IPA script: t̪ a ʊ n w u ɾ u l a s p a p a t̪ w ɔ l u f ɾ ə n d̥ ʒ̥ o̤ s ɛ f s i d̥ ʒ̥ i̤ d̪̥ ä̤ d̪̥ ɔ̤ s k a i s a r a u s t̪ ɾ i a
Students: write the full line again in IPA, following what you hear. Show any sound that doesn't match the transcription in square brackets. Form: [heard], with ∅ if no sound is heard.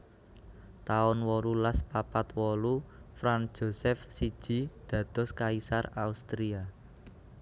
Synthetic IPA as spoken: t̪ a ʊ n w [ɔ] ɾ u l a s p a p a t̪ w ɔ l u f ɾ [a] n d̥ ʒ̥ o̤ s ɛ f s i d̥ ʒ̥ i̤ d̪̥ ä̤ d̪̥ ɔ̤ s k a i s a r a u s t̪ ɾ i a